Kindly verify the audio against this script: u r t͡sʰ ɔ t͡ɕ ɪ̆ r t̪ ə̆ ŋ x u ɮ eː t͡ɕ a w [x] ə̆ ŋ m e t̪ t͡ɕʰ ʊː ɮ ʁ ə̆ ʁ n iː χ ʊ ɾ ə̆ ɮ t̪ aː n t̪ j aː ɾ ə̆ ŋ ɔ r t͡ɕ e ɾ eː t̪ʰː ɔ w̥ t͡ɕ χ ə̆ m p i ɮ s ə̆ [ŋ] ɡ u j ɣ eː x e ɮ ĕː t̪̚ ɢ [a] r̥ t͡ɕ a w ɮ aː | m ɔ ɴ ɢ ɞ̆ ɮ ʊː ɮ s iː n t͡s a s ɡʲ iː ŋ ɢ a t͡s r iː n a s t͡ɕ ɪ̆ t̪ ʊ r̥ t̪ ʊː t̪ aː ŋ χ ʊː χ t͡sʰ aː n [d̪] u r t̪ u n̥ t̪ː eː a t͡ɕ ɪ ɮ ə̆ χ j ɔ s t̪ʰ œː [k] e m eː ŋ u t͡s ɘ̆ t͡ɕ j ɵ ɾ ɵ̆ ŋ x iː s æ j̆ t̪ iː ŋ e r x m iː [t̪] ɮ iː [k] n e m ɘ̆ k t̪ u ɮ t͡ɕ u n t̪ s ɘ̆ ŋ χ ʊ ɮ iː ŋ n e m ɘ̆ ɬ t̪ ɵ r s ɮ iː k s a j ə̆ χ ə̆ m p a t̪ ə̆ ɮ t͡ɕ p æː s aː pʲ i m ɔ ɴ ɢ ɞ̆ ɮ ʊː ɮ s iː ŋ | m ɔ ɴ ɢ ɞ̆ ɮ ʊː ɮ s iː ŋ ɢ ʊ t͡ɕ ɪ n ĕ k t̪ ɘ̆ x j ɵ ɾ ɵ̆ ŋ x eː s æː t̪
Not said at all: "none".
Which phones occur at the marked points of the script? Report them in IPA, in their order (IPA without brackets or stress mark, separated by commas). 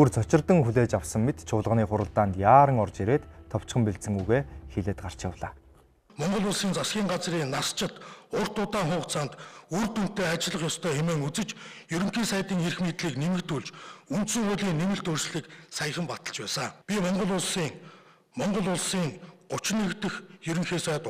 s, ŋ, a, t̪, x, t̪, k